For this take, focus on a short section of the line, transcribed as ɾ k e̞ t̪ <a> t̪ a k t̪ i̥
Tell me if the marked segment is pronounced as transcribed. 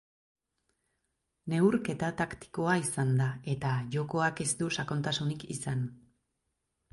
yes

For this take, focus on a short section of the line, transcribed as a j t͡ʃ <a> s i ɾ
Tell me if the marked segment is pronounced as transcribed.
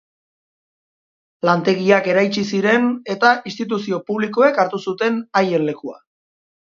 no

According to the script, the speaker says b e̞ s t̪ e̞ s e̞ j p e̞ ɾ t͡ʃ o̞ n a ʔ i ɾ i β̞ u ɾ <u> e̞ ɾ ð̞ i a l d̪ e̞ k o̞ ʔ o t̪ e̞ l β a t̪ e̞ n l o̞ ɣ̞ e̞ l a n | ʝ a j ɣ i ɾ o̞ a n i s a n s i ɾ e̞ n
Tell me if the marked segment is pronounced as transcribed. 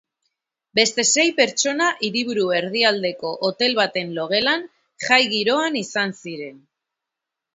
yes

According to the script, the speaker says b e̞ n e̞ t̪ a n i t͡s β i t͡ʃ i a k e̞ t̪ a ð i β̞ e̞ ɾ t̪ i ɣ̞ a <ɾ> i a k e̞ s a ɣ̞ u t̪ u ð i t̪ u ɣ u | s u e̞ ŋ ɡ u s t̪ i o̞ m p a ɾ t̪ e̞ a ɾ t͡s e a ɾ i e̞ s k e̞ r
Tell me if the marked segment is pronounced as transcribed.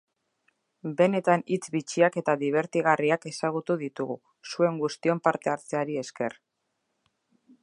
no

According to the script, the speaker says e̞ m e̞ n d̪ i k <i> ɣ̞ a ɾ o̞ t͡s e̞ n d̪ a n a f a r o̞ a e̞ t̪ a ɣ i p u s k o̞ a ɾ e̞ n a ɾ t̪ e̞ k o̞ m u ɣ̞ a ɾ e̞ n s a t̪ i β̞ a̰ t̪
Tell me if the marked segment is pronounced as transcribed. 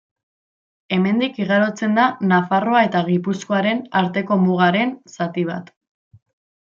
yes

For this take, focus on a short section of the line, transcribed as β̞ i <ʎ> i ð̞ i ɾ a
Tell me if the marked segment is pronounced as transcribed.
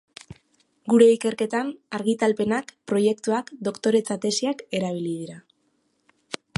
no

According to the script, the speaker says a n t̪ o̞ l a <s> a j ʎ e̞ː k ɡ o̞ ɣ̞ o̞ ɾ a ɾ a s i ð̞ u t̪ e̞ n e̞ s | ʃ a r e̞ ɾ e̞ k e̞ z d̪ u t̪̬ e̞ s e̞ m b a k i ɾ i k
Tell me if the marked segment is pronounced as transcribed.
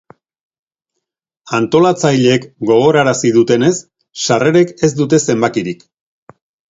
no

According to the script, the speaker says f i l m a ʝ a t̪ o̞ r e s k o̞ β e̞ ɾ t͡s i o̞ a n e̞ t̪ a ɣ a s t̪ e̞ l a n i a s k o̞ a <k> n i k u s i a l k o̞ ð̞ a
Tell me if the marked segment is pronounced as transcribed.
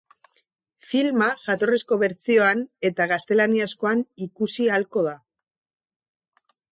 no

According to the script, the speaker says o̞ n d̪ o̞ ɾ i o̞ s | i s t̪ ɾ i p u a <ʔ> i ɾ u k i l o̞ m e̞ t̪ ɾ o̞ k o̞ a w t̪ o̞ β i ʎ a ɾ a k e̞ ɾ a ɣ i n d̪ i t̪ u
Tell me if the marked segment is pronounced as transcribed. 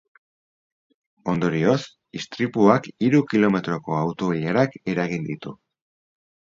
no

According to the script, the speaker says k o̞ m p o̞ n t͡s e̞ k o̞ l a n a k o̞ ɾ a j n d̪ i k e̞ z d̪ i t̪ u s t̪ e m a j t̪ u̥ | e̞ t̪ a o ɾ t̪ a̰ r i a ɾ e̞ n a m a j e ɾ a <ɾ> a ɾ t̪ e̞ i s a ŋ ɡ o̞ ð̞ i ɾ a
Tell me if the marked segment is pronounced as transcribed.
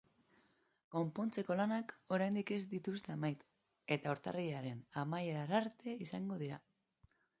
yes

